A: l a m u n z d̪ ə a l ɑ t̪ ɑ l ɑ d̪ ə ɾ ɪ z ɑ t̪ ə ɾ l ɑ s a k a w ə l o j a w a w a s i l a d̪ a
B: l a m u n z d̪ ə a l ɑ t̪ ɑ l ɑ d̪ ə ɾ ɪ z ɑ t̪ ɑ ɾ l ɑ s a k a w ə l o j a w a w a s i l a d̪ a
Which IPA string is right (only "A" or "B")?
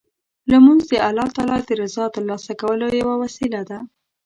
A